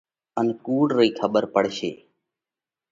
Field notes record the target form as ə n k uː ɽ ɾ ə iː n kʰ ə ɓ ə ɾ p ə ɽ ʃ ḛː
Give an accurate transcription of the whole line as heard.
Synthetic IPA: ə n k uː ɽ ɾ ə iː kʰ ə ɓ ə ɾ p ə ɽ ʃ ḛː